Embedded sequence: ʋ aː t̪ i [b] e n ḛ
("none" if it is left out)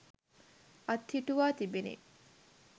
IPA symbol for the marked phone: b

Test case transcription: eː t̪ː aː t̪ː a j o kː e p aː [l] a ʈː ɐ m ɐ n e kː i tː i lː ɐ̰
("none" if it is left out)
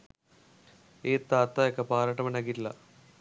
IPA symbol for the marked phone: ɾ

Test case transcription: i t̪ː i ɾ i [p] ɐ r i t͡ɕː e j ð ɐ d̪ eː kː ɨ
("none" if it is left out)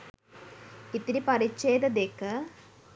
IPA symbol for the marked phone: p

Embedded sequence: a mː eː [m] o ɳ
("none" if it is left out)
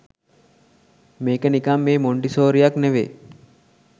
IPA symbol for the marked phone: m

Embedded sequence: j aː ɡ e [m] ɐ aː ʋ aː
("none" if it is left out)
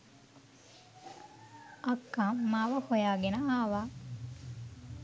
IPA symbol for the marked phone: n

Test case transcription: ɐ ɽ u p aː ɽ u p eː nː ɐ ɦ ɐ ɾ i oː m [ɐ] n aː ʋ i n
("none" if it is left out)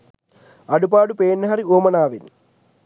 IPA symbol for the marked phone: ɐ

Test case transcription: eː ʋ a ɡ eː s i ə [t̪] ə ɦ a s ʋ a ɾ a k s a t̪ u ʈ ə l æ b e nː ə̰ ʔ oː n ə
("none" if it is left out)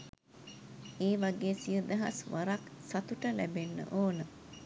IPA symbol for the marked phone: d̪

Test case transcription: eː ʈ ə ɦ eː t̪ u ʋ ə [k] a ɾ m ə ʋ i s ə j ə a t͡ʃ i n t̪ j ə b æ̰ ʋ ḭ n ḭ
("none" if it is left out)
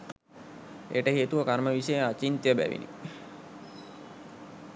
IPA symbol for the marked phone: k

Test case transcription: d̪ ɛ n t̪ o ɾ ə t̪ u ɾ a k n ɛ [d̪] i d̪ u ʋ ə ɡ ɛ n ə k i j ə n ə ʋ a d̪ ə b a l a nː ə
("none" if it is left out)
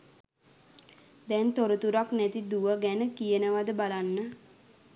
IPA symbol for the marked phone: t̪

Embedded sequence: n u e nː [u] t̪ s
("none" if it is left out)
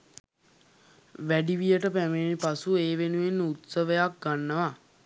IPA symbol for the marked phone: u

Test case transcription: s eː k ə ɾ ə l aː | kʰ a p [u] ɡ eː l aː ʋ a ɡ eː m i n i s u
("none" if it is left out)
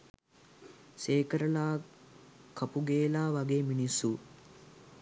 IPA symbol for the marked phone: u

